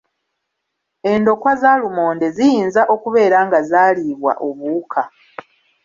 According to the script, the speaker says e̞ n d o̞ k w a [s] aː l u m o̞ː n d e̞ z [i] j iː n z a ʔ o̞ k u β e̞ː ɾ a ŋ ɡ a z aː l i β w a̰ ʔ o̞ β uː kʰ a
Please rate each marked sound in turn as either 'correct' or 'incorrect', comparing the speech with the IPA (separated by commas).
incorrect, correct